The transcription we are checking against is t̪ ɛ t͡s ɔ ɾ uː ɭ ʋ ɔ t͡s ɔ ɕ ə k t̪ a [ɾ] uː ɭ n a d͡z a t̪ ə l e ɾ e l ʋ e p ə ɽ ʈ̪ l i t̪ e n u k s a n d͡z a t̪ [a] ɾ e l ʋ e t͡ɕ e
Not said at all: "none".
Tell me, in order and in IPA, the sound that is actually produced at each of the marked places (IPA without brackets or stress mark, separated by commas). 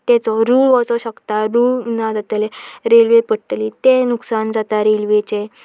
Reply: ɾ, a